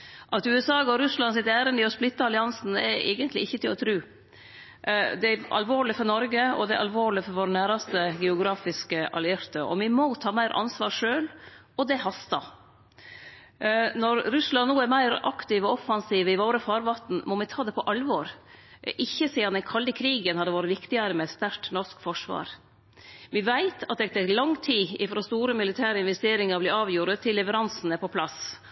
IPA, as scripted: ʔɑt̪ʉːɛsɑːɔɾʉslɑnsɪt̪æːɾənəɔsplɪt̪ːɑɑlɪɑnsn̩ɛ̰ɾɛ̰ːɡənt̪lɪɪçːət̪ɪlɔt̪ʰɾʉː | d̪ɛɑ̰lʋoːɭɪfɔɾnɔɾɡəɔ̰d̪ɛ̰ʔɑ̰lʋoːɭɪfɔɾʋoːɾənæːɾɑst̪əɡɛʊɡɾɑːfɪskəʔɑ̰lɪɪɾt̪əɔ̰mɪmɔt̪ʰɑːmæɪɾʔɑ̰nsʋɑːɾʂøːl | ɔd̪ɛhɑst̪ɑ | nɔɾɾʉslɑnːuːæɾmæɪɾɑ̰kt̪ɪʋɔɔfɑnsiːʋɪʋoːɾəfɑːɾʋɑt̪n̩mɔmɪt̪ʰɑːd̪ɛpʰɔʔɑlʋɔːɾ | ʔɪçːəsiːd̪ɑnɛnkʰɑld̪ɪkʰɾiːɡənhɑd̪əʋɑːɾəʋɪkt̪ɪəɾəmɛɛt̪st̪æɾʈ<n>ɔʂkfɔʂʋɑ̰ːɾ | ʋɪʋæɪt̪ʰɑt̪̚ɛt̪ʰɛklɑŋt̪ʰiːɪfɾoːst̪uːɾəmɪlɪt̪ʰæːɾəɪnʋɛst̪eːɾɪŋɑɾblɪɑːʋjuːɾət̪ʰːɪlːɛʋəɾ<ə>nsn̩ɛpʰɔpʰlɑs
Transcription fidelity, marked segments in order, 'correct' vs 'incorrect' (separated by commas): correct, incorrect